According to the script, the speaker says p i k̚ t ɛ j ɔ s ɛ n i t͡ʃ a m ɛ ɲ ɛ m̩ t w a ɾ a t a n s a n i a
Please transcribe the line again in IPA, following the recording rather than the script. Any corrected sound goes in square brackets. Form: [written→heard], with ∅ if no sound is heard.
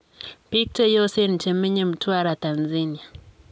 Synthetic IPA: p i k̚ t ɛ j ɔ s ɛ n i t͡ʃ [a→ɛ] m ɛ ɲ ɛ m̩ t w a ɾ a t a n [s→z] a n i a